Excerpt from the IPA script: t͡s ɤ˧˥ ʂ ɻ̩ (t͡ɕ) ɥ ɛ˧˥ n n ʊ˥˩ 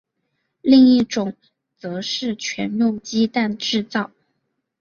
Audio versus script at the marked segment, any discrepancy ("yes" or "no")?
yes